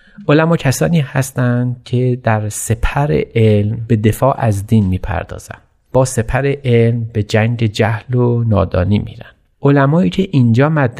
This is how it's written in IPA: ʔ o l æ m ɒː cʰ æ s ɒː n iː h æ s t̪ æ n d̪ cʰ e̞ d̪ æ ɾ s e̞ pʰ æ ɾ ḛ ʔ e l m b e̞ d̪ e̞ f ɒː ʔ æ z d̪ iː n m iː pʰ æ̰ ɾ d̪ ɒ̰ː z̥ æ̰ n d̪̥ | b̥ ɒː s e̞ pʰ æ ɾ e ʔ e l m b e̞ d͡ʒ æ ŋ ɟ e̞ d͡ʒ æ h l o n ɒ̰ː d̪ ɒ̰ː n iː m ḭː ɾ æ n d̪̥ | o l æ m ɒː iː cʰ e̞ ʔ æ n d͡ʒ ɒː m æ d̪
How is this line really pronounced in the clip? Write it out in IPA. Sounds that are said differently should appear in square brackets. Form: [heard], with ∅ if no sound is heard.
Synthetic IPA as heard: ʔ o l æ m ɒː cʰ æ s ɒː n iː h æ s t̪ æ n d̪ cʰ e̞ d̪ æ ɾ s e̞ pʰ æ ɾ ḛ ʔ e l m b e̞ d̪ e̞ f ɒː ʔ æ z d̪ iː n m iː pʰ æ̰ ɾ d̪ ɒ̰ː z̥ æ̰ n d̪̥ | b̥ ɒː s e̞ pʰ æ ɾ e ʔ e l m b e̞ d͡ʒ æ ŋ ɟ e̞ d͡ʒ æ h l o n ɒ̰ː d̪ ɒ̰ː n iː m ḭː ɾ æ n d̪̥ | o l æ m ɒː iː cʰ e̞ ʔ [i] n d͡ʒ ɒː m æ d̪